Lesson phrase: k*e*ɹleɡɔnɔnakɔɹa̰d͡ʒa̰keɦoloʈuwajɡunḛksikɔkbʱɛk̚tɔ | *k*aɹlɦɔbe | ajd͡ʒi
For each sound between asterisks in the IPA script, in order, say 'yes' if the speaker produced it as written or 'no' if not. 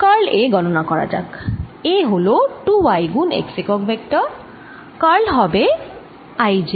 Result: no, yes

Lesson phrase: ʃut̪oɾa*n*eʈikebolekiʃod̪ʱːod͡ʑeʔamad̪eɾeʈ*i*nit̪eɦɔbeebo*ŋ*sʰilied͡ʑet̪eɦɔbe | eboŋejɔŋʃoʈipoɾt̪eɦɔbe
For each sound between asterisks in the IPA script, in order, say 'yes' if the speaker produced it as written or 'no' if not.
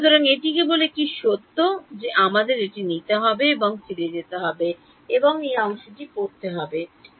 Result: no, yes, yes

